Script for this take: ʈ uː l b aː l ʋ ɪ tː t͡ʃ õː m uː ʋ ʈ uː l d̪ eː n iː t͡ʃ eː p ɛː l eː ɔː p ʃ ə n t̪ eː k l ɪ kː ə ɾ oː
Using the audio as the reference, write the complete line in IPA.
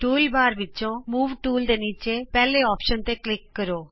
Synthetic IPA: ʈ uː l b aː ɾ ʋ ɪ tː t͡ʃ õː m uː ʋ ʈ uː l d̪ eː n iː t͡ʃ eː p ɛː l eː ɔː p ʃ ə n t̪ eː k l ɪ kː ə ɾ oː